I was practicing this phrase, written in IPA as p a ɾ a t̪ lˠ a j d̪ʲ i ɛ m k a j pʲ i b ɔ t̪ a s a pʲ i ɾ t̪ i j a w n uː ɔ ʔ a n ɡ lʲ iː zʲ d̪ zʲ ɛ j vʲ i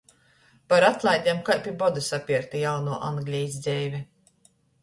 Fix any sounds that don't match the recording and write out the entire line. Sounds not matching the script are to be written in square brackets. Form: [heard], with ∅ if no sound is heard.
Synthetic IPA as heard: p a ɾ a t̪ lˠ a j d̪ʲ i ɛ m k a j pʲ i b ɔ [d̪] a s a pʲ i ɾ t̪ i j a w n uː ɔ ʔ a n ɡ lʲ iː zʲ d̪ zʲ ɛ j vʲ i